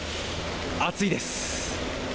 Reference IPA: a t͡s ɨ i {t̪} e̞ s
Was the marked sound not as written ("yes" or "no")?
yes